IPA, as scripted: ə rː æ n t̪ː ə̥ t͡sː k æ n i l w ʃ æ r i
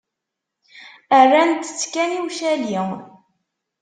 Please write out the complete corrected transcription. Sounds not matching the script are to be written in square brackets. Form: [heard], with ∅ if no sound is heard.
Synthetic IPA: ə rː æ n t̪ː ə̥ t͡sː k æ n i [∅] w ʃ æ [l] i